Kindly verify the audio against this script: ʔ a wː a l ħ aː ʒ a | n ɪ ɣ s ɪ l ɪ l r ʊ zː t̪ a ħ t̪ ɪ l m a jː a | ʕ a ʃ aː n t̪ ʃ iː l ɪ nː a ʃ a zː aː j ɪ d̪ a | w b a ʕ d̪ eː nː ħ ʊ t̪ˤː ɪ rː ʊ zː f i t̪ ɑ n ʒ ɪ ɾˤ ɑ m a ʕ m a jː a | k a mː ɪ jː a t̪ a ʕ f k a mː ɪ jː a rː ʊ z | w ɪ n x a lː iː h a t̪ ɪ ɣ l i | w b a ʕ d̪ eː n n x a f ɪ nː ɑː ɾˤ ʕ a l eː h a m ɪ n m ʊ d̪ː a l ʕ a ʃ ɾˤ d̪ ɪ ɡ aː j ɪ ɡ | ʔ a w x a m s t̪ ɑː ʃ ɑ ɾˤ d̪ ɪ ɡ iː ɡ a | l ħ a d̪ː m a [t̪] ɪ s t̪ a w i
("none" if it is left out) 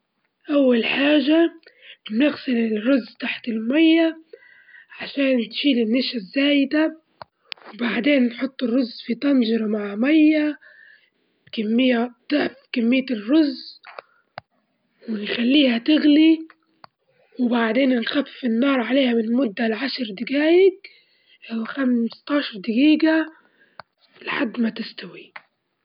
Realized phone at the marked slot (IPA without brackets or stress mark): t̪